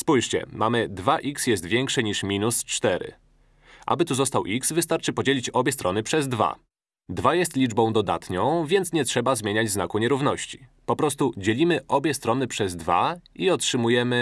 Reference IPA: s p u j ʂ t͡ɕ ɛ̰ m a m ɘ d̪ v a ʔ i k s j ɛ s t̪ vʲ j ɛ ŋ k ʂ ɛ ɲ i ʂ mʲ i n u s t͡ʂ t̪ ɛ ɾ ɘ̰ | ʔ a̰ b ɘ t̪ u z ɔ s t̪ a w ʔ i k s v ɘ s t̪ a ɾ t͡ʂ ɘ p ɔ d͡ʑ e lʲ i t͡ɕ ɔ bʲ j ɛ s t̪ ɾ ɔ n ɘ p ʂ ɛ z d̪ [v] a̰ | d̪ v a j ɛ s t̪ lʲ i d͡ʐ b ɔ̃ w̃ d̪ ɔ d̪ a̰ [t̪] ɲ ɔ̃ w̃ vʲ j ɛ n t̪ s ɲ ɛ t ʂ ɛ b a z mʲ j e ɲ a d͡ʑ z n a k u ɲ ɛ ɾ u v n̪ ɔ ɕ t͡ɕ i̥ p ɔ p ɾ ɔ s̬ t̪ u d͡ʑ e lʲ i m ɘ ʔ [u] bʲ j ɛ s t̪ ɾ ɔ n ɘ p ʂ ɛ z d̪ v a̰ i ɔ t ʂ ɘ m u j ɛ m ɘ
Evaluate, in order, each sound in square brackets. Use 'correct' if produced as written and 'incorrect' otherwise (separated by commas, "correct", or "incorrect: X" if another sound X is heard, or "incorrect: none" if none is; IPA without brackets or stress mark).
correct, correct, incorrect: ɔ